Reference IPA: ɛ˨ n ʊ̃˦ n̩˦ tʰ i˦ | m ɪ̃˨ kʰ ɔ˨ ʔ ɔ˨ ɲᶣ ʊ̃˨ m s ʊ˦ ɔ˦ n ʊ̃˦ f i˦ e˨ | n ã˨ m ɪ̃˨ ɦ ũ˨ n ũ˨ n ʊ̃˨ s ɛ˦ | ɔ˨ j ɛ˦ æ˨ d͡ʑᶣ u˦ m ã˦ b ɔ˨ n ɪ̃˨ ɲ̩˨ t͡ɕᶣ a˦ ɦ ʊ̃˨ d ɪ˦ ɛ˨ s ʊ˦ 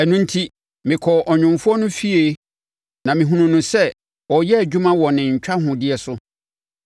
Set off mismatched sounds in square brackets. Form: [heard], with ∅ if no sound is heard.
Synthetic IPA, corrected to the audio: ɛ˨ n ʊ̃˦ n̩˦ tʰ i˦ | m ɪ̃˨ kʰ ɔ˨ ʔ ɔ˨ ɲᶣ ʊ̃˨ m [f] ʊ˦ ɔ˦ n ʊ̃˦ f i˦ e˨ | n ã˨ m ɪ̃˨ ɦ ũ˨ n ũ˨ n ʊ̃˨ s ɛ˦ | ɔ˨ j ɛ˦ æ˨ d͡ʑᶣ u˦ m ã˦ [w] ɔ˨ n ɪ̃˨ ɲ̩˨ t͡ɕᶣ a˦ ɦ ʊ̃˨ d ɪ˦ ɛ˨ s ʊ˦